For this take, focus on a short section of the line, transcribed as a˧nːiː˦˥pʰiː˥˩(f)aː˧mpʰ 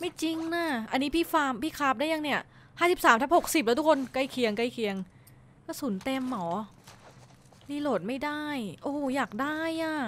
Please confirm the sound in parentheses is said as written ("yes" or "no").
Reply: yes